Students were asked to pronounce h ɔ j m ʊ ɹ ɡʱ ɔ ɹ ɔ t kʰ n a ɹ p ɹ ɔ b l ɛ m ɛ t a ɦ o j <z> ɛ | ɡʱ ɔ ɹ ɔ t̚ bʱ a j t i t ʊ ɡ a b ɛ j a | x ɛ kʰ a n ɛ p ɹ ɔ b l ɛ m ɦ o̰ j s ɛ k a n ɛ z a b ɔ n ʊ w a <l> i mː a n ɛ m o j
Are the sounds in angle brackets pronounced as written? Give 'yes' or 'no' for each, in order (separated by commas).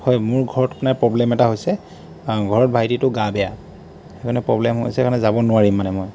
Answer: no, no